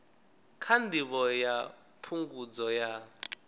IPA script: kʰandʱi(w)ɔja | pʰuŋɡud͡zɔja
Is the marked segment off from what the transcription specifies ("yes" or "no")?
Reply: yes